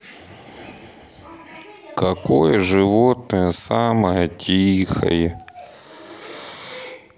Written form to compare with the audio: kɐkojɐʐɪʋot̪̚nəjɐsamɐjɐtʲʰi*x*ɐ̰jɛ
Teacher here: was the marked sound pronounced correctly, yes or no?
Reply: yes